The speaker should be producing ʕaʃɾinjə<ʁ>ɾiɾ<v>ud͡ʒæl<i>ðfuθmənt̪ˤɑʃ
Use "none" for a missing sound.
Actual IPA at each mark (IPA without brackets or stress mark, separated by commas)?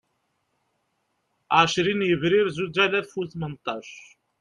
v, z, æ